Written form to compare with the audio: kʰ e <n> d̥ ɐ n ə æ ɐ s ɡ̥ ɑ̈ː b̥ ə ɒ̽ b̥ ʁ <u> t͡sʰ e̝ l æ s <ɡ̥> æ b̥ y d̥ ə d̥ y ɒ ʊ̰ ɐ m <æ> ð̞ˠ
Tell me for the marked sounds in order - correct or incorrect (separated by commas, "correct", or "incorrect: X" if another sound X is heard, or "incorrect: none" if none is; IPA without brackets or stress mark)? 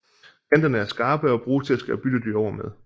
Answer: correct, incorrect: uː, correct, incorrect: e